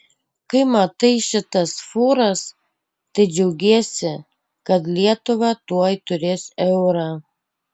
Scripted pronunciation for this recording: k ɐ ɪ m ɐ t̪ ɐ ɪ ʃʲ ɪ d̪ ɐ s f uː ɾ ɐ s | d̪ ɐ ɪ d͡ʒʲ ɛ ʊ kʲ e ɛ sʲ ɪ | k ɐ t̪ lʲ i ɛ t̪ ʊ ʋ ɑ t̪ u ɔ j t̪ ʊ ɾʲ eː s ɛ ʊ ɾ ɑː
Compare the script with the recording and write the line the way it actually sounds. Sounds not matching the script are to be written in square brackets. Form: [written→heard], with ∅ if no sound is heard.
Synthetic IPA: k ɐ ɪ m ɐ t̪ ɐ ɪ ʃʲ ɪ [d̪→t̪] ɐ s f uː ɾ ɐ s | [d̪→t̪] ɐ ɪ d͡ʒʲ ɛ ʊ [kʲ→ɡʲ] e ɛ sʲ ɪ | k ɐ t̪ lʲ i ɛ t̪ ʊ ʋ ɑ t̪ u ɔ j t̪ ʊ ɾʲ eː s ɛ ʊ ɾ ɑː